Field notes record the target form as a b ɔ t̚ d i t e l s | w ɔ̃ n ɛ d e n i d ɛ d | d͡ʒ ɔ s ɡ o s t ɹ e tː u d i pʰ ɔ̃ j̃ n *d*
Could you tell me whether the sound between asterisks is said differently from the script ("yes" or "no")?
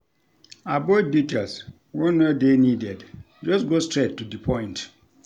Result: yes